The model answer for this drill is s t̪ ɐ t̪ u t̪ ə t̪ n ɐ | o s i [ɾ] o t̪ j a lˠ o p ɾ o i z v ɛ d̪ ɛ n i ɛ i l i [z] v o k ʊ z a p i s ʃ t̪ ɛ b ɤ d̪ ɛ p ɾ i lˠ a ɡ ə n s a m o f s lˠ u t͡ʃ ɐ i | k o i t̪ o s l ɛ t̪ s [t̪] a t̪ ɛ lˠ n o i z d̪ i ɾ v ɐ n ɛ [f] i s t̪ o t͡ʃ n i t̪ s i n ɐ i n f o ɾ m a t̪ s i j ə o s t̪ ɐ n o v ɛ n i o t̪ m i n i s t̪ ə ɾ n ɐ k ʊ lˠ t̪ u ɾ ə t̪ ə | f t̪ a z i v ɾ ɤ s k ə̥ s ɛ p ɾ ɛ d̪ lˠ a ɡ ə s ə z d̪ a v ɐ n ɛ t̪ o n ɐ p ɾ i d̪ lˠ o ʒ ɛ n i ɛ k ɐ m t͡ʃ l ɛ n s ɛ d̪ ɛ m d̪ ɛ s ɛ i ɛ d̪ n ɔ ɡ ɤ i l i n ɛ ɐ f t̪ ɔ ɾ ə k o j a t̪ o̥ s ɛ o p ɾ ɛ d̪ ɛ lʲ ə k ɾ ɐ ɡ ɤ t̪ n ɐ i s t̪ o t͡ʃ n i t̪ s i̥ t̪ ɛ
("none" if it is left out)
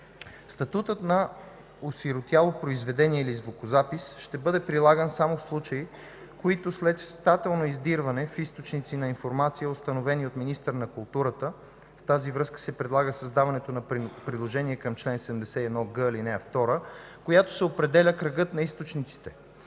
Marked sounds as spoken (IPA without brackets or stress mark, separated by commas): ɾ, z, t̪, f